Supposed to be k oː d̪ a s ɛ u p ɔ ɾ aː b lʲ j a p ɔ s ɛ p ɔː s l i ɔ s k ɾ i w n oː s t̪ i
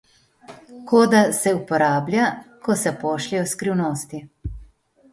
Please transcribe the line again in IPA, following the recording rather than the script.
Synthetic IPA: k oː d̪ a s ɛ u p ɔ ɾ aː b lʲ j a k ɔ s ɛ p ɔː ʃ l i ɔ s k ɾ i w n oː s t̪ i